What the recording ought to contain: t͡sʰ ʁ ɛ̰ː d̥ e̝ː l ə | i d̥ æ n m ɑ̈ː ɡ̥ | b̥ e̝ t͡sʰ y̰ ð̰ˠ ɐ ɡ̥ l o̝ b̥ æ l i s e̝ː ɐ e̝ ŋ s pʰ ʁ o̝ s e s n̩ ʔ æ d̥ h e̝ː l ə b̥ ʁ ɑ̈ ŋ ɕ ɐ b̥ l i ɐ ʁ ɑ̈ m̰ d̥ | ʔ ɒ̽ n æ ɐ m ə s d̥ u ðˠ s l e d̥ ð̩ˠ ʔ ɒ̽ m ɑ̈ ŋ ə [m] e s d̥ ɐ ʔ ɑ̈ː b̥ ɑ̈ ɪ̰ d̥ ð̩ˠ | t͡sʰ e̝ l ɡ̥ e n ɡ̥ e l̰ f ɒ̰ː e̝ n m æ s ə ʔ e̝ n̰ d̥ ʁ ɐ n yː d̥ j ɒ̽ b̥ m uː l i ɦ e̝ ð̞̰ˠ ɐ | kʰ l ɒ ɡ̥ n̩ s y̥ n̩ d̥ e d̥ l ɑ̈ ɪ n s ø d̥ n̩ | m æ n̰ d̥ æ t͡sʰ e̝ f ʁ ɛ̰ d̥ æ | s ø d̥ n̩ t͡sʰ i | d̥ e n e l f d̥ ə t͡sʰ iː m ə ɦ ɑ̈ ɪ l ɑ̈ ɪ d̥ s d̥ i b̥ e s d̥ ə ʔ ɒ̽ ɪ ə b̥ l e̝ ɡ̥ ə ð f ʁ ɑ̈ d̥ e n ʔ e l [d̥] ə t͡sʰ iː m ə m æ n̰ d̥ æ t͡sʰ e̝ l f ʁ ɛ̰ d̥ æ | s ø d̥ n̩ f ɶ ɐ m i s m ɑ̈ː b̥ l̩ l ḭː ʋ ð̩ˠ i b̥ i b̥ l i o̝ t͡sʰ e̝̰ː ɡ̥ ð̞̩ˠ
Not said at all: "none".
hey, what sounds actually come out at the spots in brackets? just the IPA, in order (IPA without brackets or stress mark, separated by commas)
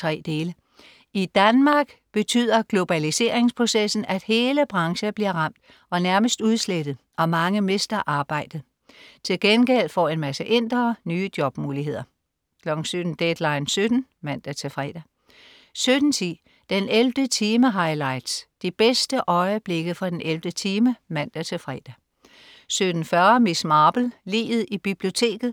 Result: m, d̥